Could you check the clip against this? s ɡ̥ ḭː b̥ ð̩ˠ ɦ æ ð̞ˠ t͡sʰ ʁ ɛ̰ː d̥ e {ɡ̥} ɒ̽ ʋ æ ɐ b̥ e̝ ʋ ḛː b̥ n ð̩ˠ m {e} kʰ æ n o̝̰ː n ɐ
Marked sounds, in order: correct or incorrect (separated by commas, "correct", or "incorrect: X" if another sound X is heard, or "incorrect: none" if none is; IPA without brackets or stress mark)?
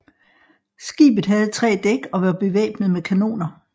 correct, correct